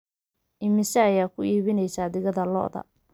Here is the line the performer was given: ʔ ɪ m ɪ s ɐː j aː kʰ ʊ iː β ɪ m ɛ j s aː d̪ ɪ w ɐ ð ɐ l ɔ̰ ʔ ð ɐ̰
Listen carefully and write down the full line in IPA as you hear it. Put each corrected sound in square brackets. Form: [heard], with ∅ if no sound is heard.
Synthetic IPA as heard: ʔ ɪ m ɪ s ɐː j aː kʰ ʊ iː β ɪ [n] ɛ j s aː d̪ ɪ [ɣ] ɐ ð ɐ l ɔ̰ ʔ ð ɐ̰